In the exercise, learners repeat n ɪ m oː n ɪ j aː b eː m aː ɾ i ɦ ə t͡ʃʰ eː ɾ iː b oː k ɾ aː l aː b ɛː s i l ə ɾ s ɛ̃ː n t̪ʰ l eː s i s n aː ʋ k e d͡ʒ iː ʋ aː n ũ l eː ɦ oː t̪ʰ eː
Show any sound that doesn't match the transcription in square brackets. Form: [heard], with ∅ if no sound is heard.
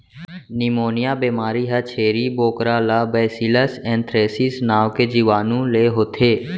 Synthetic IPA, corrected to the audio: n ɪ m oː n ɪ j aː b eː m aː ɾ i ɦ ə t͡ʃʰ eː ɾ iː b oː k ɾ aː l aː b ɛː s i l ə [∅] s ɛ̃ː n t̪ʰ [ɾ] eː s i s n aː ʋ k e d͡ʒ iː ʋ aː n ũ l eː ɦ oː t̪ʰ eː